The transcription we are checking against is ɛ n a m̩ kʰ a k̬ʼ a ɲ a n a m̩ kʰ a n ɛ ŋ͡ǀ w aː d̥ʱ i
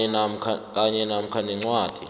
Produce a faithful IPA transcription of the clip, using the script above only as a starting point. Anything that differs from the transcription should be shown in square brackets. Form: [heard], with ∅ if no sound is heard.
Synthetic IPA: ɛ n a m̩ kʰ a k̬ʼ a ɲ [ɛ] n a m̩ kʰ a n ɛ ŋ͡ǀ w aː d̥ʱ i